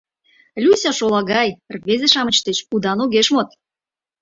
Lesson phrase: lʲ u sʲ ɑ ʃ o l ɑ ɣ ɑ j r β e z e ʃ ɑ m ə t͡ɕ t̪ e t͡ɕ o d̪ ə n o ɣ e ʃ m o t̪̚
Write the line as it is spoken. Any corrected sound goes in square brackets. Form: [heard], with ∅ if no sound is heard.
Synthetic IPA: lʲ u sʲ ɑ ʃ o l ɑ ɣ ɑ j r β e z e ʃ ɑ m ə t͡ɕ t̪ e t͡ɕ [u] d̪ [ɑ] n o ɣ e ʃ m o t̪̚